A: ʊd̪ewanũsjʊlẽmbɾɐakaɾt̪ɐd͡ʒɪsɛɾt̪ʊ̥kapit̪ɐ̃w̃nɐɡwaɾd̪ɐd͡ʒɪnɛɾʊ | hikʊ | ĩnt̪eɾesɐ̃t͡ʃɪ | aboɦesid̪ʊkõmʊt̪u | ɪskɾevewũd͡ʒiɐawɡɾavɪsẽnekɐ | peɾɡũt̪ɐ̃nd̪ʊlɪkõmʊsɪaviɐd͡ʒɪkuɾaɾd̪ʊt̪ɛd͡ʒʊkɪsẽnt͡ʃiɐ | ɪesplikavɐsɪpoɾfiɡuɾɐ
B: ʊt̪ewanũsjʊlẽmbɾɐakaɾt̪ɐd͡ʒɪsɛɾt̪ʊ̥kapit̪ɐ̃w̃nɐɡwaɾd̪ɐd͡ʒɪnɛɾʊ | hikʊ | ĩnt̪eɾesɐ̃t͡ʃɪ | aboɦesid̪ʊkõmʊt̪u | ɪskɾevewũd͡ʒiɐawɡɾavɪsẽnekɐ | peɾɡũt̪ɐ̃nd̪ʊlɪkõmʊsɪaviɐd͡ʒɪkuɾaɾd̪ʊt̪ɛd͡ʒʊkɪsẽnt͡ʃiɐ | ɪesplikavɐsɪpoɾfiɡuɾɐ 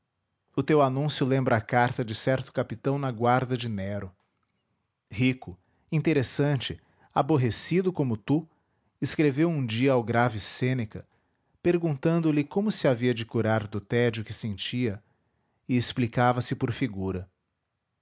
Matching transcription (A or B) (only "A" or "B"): B